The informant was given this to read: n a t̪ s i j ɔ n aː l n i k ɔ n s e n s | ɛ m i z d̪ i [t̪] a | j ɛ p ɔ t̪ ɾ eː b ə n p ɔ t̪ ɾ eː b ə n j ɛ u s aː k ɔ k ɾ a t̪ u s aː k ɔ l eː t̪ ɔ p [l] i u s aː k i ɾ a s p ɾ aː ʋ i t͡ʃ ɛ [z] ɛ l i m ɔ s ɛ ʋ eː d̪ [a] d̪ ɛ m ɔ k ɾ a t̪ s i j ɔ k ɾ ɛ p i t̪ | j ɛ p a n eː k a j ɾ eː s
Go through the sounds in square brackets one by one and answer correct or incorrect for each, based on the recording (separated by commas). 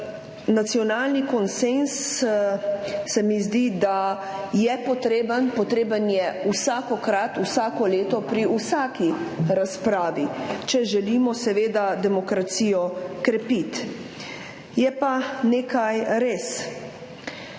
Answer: incorrect, incorrect, incorrect, correct